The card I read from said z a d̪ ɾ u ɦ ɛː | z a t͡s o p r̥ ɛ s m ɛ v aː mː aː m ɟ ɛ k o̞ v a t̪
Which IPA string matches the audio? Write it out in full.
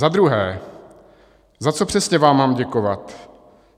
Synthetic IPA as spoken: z a d̪ ɾ u ɦ ɛː | z a t͡s o p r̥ ɛ s ɲ ɛ v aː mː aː m ɟ ɛ k o̞ v a t̪